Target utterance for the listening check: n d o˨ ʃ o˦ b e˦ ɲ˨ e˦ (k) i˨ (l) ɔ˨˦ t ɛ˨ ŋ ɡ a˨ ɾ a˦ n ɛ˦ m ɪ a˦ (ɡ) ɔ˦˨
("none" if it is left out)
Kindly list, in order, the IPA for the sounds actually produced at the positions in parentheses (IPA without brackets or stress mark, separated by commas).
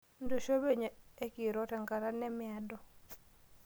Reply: k, ɾ, d